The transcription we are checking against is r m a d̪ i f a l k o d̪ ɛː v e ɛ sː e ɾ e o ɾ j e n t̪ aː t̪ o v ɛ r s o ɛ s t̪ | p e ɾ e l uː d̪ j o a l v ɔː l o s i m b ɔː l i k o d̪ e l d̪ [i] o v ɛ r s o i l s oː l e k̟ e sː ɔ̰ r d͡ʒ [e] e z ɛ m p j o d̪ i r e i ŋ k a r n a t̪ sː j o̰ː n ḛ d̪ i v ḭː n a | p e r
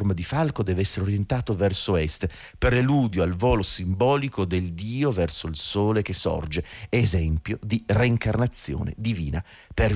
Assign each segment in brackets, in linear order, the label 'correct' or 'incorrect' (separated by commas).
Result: incorrect, correct